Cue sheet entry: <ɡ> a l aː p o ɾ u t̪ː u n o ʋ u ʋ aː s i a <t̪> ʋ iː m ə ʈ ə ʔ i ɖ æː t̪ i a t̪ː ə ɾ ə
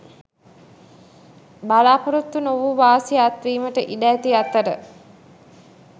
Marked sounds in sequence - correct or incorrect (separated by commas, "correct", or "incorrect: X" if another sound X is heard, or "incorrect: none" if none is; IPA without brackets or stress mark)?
incorrect: b, correct